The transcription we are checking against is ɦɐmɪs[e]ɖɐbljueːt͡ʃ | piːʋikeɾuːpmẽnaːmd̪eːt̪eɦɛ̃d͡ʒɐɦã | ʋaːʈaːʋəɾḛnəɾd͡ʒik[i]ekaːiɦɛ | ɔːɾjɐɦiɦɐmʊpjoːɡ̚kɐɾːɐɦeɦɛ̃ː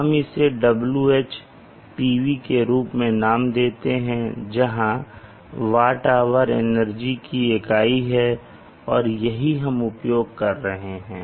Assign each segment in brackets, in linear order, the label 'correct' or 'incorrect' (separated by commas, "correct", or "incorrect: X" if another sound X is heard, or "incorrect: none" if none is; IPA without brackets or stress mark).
correct, correct